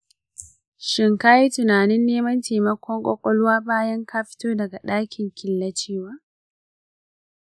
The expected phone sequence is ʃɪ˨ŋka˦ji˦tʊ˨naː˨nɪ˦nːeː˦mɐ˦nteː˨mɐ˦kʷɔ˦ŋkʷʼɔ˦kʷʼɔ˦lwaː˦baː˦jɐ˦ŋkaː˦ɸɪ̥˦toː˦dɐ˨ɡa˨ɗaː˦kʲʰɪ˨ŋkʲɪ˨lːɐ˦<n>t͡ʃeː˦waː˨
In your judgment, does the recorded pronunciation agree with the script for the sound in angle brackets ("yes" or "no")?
no